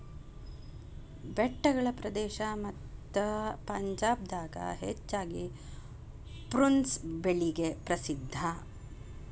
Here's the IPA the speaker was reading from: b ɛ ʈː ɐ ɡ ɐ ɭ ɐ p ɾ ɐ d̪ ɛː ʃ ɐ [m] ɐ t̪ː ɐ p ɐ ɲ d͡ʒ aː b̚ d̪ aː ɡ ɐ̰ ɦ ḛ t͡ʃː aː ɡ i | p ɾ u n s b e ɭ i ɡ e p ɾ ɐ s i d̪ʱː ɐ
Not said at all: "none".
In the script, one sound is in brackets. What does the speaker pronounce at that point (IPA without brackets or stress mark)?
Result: m